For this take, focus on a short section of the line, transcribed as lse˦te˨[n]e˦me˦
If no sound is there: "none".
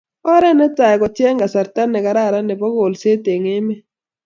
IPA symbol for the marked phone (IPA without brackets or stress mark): ŋ